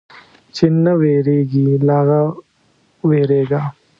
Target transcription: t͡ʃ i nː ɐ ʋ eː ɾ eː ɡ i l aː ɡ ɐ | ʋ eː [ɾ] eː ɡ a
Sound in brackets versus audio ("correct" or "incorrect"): correct